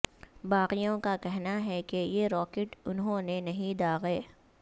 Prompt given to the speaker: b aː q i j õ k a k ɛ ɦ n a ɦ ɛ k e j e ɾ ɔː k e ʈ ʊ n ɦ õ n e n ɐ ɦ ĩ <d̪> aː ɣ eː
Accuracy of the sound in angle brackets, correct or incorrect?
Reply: correct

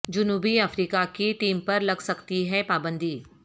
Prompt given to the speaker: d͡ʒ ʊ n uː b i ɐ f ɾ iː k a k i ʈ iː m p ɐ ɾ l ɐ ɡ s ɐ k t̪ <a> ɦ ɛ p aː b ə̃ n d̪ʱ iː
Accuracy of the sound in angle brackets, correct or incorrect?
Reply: incorrect: i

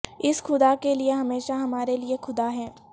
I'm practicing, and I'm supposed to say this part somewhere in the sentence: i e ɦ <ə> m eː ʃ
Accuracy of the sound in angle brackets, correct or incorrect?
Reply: incorrect: ɐ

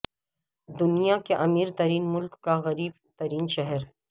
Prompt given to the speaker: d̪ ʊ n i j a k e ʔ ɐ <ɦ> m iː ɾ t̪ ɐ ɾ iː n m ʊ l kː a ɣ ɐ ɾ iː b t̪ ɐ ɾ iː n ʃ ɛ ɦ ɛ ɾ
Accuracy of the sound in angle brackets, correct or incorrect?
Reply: incorrect: none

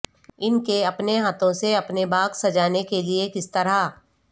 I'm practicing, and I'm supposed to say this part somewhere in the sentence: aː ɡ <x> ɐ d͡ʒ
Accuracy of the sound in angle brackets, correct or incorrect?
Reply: incorrect: s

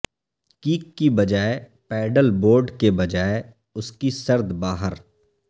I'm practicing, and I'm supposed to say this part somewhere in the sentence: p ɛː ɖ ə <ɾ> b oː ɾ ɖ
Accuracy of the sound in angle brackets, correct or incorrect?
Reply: incorrect: l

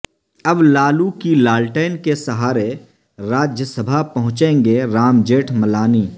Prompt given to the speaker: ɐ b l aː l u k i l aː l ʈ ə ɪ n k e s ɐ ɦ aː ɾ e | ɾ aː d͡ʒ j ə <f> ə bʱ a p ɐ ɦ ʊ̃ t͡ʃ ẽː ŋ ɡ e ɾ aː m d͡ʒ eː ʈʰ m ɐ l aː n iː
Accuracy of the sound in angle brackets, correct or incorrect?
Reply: incorrect: s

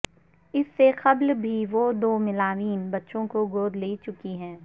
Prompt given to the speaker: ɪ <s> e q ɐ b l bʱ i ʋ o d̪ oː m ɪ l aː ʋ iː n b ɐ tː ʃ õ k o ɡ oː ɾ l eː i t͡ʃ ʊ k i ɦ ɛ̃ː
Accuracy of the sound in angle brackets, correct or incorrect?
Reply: incorrect: sː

